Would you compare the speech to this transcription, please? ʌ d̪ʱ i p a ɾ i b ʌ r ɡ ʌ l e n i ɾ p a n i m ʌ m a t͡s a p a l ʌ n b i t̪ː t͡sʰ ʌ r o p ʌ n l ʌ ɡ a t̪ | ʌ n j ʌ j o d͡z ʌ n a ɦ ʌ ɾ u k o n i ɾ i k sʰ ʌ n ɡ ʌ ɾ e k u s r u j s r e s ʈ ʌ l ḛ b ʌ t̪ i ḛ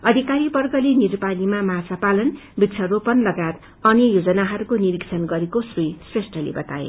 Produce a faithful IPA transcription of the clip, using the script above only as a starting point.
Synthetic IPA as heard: ʌ d̪ʱ i k a ɾ i b ʌ r ɡ ʌ l e n i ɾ p a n i m a m a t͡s a p a l ʌ n b i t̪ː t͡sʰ ʌ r o p ʌ n l ʌ ɡ a t̪ | ʌ n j ʌ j o d͡z ʌ n a ɦ ʌ ɾ u k o n i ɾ i k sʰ ʌ n ɡ ʌ ɾ e k o s r u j s r e s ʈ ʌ l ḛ b ʌ t̪ a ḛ

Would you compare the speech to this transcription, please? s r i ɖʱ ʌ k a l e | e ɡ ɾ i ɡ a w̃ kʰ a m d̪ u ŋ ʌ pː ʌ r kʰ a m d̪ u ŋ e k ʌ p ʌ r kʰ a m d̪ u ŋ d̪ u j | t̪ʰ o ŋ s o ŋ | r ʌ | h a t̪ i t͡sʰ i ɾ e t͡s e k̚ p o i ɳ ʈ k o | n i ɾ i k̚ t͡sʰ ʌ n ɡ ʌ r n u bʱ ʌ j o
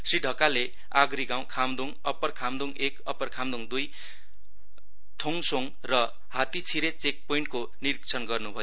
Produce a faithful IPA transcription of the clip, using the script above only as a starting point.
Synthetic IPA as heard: s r i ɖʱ ʌ k a l e | a ɡ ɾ i ɡ a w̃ kʰ a m d̪ u ŋ ʌ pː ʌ r kʰ a m d̪ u ŋ e k ʌ p ʌ r kʰ a m d̪ u ŋ d̪ u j | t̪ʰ o ŋ s o ŋ | r ʌ | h a t̪ i t͡sʰ i ɾ e t͡s e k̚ p o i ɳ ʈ k o | n i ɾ i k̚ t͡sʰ ʌ n ɡ ʌ r n u bʱ ʌ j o

